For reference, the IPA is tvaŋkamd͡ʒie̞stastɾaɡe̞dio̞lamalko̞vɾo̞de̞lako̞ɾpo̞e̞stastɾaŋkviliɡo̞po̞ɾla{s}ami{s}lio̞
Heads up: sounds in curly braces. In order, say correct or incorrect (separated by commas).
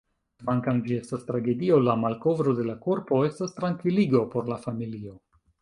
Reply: incorrect, incorrect